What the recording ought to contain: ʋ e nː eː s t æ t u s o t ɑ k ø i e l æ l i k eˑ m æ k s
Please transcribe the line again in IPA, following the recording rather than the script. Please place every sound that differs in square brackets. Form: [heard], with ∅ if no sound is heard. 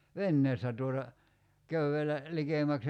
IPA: ʋ e nː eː s t æ t u [∅] o t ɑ k ø [y] e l æ l i k eˑ m æ k s